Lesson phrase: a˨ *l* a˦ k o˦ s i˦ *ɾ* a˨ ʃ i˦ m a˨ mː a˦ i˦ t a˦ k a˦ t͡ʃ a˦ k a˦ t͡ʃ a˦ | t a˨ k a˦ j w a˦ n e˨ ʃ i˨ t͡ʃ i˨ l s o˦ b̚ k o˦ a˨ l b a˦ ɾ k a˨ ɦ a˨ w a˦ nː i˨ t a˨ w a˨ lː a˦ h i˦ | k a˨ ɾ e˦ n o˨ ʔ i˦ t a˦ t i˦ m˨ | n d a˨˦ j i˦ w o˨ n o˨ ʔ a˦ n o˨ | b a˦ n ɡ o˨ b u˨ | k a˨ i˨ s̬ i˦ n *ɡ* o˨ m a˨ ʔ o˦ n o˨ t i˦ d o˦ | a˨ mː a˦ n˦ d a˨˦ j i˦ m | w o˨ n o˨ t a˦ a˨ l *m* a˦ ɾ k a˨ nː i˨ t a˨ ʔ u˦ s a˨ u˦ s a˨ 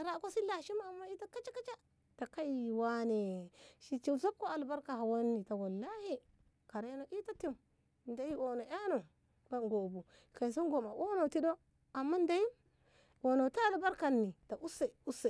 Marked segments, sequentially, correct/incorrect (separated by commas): incorrect, incorrect, correct, incorrect